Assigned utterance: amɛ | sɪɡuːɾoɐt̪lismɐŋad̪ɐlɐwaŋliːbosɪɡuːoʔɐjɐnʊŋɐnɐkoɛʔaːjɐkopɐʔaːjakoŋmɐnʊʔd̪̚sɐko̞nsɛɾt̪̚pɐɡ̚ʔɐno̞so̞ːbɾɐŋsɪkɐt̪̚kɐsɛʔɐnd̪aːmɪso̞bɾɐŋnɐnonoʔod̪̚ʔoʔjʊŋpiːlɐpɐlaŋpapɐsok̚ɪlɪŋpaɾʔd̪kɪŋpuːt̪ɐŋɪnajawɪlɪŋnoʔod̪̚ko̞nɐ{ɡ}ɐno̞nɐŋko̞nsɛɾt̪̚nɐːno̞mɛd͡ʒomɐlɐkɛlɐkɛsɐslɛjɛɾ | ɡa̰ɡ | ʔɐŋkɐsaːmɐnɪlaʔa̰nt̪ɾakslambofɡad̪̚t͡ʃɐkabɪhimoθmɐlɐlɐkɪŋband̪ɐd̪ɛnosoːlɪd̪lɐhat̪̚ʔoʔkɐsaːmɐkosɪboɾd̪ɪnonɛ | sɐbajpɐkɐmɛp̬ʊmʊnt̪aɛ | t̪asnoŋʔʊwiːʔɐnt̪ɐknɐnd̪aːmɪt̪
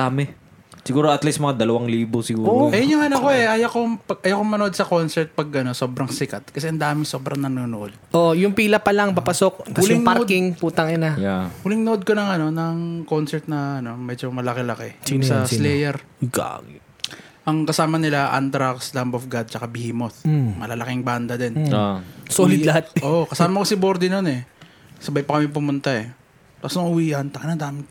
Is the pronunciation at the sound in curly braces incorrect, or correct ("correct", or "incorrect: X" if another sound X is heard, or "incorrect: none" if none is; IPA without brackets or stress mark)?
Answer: incorrect: ŋ